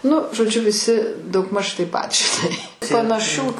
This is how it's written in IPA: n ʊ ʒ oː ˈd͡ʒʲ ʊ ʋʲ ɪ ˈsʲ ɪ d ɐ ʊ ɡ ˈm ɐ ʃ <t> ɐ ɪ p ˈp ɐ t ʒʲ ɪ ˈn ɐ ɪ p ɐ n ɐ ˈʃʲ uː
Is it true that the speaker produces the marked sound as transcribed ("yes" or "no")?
yes